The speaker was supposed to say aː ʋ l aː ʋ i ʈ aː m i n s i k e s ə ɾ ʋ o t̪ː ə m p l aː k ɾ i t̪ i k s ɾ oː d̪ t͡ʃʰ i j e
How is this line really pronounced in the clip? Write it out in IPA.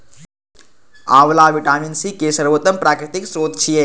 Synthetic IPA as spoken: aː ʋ l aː ʋ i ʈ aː m i n s i k e s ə ɾ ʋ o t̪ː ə m p ɾ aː k ɾ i t̪ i k s ɾ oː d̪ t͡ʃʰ i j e